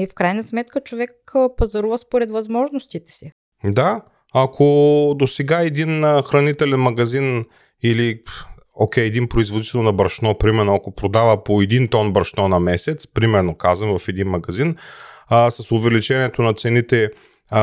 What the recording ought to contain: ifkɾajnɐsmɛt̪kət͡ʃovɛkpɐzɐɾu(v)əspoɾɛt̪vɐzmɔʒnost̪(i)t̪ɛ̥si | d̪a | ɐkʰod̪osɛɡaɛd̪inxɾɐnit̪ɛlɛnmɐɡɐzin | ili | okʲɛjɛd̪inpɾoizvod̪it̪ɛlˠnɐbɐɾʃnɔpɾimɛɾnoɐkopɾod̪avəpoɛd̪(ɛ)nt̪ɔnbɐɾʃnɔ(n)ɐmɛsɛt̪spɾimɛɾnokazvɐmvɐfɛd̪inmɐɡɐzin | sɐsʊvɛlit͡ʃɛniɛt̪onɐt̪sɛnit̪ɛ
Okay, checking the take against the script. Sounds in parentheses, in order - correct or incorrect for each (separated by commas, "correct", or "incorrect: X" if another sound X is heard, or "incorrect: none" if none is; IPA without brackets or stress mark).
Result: correct, correct, incorrect: i, correct